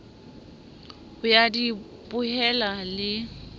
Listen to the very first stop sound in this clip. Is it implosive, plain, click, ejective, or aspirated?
plain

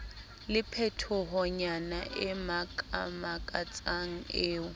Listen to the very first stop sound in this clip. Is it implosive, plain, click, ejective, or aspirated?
aspirated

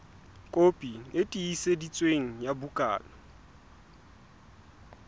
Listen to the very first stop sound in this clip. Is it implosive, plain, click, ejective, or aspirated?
ejective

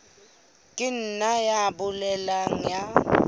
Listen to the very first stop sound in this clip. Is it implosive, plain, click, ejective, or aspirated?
ejective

